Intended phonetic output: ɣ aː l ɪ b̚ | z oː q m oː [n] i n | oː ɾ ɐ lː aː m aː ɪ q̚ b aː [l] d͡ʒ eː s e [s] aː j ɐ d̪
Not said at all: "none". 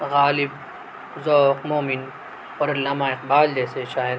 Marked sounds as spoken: m, l, ʃ

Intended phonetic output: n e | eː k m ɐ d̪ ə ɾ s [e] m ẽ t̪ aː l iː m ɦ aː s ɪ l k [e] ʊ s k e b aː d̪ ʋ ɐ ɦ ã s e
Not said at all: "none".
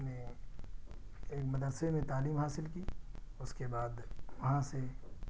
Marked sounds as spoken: e, i

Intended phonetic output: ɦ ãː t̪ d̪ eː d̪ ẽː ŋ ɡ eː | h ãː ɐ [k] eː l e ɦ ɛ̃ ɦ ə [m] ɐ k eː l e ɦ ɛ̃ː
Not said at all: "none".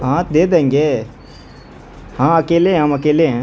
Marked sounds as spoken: k, m

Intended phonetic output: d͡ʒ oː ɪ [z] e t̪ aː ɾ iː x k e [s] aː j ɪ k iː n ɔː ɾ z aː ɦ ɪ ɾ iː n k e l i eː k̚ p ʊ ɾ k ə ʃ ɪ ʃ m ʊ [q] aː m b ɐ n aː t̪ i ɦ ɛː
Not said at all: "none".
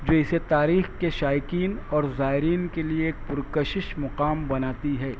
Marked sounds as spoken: s, ʃ, q

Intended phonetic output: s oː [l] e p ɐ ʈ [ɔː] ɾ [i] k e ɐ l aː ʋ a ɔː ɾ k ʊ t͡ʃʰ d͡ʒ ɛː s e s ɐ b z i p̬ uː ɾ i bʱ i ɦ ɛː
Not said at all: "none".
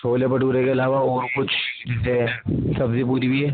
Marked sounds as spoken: l, uː, e

